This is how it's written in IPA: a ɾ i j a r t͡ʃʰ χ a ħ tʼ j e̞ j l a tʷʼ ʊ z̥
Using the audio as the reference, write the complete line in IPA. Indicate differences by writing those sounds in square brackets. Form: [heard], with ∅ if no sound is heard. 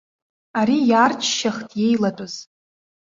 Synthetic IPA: a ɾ i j a r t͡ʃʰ [ʃ] a [χ] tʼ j e̞ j l a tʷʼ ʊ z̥